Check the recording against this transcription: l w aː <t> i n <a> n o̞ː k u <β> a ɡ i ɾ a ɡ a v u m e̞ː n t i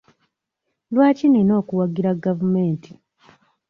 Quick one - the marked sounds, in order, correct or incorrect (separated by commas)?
incorrect, incorrect, incorrect